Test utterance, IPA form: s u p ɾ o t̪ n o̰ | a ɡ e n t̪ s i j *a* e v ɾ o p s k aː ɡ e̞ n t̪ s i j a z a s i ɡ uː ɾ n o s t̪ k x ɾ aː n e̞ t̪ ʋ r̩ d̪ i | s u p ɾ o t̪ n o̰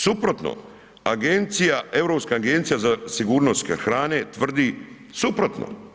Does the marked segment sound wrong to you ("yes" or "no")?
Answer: no